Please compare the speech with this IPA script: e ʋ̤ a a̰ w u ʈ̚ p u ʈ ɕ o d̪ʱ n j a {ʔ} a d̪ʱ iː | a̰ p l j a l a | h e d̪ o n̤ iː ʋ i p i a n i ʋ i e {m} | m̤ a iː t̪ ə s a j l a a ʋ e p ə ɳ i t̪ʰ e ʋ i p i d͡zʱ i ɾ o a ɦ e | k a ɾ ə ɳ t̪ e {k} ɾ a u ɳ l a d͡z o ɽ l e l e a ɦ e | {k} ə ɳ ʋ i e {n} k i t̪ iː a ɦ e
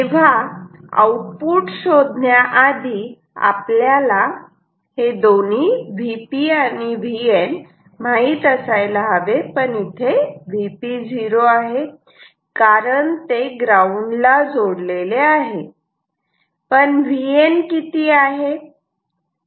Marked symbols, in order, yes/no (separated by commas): yes, no, no, no, yes